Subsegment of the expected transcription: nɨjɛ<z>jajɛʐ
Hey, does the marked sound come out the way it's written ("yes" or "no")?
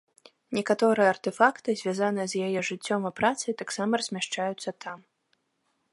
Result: yes